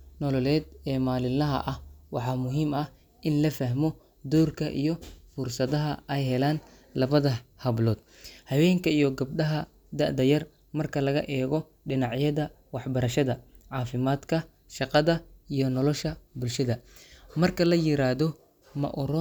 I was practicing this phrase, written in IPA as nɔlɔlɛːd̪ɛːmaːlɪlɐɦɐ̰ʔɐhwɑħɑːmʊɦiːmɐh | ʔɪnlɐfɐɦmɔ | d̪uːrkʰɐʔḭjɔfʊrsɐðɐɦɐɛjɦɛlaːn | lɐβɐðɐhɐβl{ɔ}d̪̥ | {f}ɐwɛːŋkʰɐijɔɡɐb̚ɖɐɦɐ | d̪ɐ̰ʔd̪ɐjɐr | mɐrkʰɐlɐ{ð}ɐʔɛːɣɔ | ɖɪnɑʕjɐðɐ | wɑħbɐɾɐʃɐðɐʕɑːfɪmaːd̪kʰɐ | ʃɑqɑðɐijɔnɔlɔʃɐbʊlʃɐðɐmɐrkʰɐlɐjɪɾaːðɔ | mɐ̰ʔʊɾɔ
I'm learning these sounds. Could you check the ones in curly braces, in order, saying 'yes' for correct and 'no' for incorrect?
no, no, no

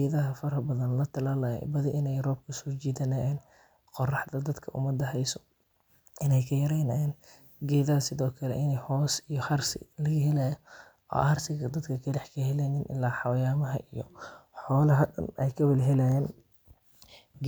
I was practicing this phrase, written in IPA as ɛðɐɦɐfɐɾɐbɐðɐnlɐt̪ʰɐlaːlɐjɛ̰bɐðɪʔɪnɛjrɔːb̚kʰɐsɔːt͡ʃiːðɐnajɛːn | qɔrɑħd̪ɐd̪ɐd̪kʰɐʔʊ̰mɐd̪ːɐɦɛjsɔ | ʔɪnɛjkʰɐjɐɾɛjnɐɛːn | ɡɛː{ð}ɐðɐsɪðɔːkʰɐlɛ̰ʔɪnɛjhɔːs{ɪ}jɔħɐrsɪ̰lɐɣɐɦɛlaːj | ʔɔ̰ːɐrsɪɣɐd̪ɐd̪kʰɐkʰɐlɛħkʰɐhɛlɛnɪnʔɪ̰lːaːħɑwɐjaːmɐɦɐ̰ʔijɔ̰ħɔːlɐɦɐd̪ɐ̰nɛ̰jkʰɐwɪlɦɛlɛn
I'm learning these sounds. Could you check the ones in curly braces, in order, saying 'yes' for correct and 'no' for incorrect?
yes, no

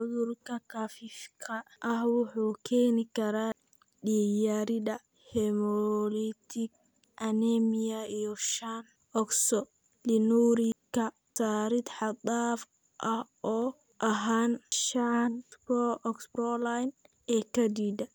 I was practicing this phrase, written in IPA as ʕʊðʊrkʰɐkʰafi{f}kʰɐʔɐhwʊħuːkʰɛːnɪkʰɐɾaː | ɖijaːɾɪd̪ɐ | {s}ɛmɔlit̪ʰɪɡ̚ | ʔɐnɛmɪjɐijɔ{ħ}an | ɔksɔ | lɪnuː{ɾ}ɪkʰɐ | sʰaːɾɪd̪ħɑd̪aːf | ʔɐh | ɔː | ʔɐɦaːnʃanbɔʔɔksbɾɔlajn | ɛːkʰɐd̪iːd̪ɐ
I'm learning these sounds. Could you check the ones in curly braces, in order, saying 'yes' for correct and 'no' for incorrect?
yes, no, no, yes

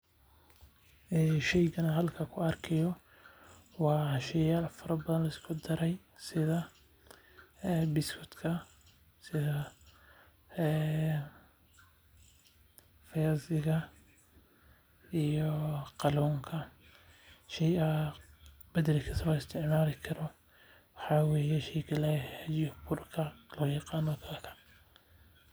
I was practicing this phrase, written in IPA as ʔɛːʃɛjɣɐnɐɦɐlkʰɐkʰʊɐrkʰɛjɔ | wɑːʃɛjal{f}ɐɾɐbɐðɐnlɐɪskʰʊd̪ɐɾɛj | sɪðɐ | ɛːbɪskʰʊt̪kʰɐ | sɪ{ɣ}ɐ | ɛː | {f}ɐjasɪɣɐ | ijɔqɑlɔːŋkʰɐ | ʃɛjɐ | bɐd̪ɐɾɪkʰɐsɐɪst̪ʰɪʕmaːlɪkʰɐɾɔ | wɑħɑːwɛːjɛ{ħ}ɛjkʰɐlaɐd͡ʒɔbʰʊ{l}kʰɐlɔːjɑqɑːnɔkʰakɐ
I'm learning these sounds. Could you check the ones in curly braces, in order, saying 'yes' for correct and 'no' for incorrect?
yes, no, yes, no, no

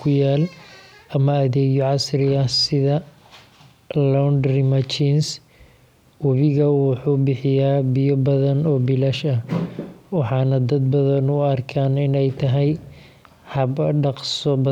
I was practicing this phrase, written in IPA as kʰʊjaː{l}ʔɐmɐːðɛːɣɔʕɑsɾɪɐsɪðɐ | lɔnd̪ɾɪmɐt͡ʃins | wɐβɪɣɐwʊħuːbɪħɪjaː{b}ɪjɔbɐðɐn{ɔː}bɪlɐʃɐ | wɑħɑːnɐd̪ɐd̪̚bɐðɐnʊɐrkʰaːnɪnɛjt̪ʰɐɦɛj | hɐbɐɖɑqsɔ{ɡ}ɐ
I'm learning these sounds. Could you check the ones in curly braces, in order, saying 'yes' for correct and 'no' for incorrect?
yes, yes, yes, no

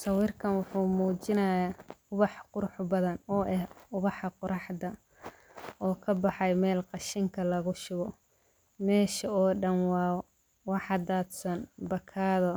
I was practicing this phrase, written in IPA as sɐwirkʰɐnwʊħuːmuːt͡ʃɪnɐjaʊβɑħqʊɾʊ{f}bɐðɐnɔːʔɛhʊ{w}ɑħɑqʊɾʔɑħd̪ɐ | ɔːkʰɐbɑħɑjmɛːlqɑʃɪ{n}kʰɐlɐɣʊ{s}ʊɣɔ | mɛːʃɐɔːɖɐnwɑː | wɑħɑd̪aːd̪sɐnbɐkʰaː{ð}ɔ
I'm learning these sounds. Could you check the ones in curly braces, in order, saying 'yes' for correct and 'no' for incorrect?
no, no, no, no, yes

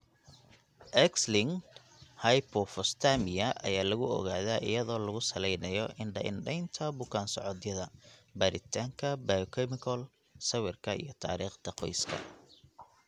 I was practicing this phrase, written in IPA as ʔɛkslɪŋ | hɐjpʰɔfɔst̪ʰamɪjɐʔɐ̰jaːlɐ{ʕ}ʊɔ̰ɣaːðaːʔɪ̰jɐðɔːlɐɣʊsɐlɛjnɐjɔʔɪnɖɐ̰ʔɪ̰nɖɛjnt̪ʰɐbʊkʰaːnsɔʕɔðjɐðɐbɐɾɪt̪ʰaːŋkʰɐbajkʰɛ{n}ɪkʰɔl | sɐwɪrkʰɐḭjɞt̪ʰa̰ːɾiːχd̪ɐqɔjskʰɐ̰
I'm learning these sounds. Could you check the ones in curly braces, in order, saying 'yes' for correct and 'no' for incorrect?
no, no

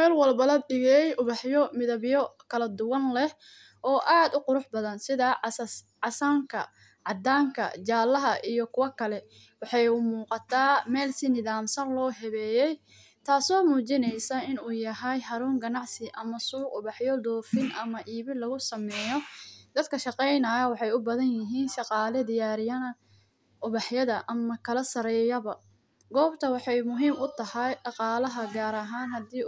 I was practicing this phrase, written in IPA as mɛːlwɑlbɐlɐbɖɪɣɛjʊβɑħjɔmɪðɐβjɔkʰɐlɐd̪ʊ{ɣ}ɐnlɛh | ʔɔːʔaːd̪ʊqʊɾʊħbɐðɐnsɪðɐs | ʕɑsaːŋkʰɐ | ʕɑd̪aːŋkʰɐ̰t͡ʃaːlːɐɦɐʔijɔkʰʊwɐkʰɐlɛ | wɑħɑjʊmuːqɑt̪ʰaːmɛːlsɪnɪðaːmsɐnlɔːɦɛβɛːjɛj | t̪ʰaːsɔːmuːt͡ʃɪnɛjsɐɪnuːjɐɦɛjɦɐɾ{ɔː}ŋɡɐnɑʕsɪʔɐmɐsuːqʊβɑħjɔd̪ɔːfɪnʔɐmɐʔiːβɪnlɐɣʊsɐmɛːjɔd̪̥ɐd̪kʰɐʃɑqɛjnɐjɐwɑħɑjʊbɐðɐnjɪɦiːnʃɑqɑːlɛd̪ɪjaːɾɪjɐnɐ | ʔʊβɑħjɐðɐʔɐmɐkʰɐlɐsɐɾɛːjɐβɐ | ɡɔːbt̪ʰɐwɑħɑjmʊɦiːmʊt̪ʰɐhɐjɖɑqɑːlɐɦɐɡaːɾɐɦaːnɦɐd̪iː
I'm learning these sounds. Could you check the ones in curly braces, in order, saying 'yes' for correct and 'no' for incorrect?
no, no

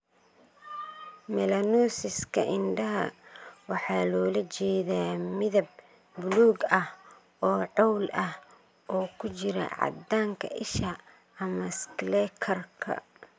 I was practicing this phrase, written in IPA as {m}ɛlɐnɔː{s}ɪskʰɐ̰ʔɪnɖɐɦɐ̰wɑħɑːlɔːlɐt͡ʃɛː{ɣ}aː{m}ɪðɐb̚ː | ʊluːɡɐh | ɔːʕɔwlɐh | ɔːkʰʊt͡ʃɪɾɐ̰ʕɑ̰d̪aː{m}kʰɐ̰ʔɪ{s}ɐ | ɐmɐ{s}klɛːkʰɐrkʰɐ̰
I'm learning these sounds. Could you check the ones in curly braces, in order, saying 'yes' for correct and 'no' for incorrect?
yes, yes, no, yes, no, no, yes

